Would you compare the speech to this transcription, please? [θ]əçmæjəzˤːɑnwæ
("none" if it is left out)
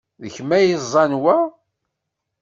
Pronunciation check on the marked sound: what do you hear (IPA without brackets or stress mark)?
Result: ð